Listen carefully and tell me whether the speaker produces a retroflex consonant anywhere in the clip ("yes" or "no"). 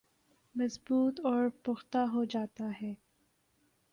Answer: no